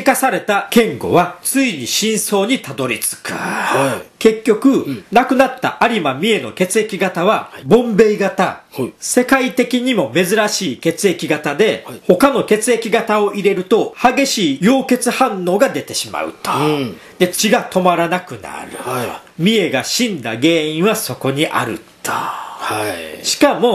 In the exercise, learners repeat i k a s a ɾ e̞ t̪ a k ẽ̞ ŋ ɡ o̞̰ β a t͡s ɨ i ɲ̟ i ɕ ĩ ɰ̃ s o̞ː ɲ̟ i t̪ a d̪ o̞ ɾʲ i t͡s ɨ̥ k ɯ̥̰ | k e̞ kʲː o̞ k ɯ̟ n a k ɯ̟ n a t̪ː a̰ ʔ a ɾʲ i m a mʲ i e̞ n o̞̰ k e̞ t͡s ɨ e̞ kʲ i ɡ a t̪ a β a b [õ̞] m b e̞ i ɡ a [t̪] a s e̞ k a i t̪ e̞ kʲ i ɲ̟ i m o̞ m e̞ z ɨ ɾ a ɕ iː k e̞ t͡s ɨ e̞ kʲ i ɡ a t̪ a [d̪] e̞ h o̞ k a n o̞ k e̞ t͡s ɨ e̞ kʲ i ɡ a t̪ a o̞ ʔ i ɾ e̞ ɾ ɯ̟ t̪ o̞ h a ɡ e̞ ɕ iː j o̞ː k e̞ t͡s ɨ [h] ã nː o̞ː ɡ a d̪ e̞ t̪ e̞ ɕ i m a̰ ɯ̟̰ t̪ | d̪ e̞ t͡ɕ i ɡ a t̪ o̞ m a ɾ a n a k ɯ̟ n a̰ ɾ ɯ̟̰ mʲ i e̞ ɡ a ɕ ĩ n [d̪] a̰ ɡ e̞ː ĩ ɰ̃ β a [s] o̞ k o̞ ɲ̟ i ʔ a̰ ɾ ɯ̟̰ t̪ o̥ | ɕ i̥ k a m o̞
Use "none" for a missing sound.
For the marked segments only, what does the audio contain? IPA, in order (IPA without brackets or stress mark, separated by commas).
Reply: õ̞, t̪, d̪, h, d̪, s